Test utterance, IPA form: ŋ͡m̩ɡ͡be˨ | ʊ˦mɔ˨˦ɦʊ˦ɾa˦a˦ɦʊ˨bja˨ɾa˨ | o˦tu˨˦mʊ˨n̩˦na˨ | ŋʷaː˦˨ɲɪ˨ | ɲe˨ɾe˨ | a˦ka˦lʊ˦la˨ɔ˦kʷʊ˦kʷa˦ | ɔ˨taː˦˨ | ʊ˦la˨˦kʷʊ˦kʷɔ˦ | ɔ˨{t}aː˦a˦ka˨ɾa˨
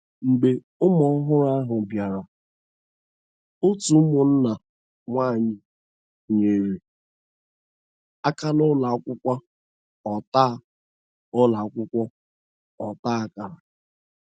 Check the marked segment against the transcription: correct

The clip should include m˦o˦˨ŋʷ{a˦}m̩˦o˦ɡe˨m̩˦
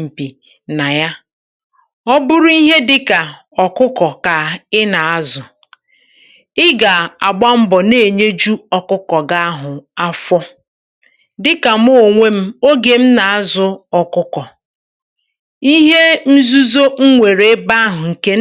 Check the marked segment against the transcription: incorrect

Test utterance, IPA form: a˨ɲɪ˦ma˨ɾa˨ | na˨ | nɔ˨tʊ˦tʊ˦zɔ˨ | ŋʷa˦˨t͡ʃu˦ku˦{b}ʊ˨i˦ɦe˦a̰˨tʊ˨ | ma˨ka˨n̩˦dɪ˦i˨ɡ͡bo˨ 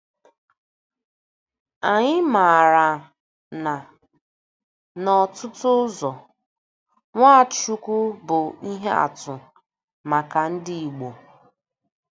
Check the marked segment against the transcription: correct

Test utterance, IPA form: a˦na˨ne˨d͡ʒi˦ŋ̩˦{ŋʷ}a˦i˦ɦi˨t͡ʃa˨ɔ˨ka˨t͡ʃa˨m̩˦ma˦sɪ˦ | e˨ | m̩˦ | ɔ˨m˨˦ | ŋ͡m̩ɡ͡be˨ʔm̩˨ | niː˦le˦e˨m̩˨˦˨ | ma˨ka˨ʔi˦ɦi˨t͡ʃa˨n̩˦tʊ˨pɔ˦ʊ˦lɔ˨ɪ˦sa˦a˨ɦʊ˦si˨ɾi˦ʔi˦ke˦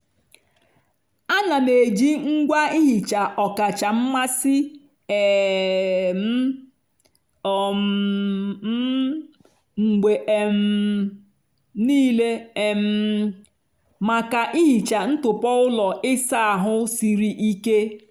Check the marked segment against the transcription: incorrect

